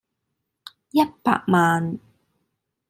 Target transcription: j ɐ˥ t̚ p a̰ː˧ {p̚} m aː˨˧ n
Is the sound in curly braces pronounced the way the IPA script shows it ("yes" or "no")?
no